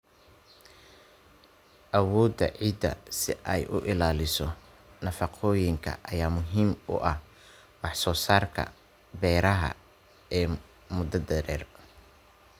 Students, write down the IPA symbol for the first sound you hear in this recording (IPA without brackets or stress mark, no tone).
ʔ